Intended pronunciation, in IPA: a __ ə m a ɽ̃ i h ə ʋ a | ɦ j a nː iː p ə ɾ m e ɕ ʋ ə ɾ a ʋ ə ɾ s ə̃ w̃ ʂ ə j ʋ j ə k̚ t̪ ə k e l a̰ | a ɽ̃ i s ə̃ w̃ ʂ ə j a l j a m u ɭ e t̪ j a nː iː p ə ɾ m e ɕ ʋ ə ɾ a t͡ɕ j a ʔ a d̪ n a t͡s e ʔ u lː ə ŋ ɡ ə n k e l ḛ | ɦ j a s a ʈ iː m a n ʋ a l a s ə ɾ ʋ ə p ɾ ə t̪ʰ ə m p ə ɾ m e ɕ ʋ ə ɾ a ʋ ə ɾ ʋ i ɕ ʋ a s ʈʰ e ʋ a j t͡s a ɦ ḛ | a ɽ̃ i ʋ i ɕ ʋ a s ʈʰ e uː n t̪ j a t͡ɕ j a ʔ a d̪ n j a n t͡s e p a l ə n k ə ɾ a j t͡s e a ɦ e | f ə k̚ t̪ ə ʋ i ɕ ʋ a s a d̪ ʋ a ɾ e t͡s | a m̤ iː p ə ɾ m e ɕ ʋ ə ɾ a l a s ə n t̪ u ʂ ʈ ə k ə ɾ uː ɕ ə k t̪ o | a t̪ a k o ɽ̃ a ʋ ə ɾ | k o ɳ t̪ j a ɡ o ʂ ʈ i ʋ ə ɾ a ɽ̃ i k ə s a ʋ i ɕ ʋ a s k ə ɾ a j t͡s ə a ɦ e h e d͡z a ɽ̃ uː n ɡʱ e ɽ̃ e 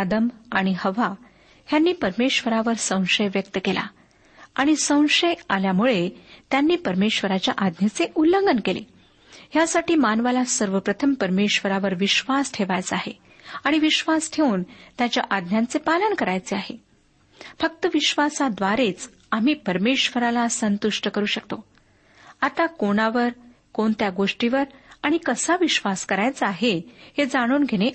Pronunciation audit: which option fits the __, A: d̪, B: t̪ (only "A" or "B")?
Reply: A